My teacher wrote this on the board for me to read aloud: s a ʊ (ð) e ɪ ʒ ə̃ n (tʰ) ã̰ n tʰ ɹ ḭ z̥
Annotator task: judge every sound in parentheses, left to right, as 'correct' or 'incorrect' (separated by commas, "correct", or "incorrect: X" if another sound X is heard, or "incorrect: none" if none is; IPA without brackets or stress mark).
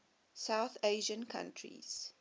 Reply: incorrect: θ, incorrect: kʰ